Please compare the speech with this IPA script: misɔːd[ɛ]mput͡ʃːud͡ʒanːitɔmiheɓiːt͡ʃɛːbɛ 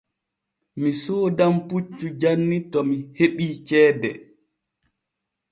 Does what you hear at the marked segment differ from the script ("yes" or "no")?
yes